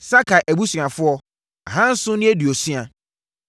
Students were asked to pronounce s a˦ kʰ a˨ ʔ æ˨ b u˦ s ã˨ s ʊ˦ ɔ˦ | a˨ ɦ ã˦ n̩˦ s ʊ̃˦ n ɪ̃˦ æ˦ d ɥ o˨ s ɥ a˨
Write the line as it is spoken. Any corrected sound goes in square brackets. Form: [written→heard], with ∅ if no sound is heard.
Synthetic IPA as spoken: s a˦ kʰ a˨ ʔ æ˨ b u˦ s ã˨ [s→f] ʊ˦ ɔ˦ | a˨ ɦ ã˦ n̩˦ s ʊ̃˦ n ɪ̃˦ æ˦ d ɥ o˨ s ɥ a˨